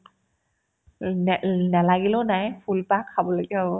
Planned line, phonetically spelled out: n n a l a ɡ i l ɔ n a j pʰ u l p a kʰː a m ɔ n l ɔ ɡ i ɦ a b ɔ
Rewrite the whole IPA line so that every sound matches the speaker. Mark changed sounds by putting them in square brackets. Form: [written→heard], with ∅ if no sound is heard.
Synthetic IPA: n n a l a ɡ i l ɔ n a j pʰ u l p a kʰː a [m→b] ɔ [n→∅] l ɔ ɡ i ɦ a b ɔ